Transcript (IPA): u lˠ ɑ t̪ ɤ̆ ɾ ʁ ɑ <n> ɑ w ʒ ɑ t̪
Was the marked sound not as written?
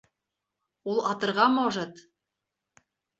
yes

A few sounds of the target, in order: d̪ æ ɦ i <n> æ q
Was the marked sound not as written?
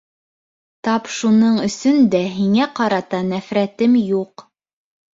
yes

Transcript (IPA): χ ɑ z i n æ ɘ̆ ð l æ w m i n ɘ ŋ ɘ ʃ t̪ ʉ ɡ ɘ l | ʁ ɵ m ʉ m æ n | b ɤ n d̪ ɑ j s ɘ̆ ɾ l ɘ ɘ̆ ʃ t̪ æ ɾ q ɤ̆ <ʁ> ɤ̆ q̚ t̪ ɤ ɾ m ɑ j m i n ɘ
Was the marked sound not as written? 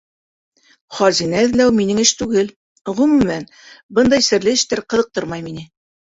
yes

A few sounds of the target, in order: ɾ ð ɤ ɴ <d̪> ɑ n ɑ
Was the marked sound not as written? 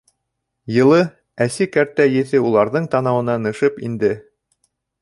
yes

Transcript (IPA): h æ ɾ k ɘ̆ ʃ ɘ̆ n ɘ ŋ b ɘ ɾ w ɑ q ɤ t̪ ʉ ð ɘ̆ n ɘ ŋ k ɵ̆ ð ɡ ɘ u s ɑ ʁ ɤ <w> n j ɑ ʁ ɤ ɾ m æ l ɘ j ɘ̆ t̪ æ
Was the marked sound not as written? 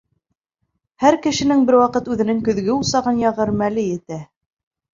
yes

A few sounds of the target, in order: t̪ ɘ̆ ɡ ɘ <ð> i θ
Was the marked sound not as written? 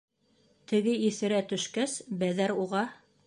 yes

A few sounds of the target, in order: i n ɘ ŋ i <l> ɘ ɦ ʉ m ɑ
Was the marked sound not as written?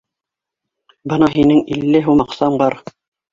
yes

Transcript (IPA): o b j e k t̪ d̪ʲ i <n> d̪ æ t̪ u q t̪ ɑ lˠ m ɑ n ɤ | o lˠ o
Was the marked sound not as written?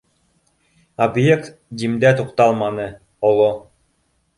yes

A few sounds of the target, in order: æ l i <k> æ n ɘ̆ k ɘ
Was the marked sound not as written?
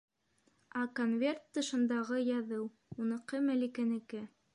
no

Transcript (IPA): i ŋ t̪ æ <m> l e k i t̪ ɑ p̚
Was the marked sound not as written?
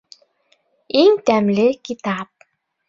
no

